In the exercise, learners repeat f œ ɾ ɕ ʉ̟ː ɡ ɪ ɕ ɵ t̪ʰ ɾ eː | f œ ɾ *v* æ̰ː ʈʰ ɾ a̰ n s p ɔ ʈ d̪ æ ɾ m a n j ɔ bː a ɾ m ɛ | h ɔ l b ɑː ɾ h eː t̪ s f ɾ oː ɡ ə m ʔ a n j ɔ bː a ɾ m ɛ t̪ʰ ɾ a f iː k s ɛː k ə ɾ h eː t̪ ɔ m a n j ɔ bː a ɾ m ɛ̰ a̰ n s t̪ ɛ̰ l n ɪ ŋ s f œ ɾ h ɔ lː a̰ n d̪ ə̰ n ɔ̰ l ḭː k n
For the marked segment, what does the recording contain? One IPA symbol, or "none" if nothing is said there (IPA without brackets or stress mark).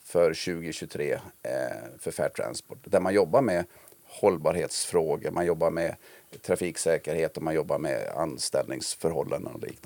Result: f